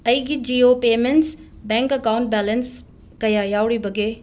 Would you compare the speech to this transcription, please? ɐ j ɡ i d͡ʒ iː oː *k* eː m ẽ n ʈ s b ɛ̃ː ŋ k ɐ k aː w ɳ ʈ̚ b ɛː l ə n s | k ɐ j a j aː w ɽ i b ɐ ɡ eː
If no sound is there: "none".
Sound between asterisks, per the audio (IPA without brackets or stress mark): p